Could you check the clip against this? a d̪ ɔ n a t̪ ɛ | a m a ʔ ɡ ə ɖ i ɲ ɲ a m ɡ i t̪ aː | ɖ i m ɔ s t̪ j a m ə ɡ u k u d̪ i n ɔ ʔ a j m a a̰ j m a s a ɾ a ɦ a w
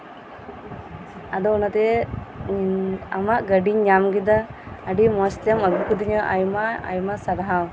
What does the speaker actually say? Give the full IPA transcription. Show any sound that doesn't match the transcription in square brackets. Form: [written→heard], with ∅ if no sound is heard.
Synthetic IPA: a d̪ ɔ n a t̪ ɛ | a m a ʔ ɡ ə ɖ i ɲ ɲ a m ɡ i [t̪→d̪] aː | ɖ i m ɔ s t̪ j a m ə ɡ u k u d̪ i [n→ɲ] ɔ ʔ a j m a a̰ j m a s a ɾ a ɦ a w